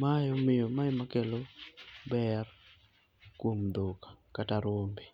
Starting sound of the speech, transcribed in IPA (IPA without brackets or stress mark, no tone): m